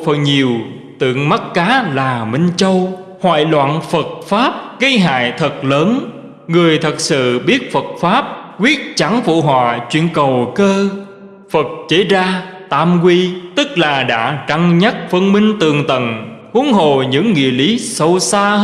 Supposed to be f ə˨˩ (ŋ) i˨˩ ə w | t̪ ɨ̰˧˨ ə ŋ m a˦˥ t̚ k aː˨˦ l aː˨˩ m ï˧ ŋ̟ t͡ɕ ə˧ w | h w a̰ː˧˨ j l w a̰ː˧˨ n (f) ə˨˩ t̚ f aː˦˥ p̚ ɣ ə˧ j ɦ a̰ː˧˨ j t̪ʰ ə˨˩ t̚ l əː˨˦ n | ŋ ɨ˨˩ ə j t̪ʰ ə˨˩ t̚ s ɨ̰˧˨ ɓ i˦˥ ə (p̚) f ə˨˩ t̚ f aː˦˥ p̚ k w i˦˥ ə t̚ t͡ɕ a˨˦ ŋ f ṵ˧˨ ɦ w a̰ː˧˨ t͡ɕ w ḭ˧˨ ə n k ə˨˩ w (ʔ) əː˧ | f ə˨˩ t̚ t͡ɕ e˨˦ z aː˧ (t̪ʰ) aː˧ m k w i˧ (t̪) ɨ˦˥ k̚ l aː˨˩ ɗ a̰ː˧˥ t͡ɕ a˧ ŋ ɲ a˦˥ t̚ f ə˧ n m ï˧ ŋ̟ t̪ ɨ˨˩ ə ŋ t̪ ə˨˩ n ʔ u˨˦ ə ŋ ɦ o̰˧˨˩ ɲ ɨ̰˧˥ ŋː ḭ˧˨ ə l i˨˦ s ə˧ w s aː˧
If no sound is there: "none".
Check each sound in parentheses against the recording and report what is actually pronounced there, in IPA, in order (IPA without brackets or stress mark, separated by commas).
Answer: ɲ, f, t̚, k, t̪, t̪